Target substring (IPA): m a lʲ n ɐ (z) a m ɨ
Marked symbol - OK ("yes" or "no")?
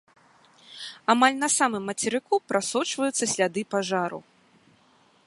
no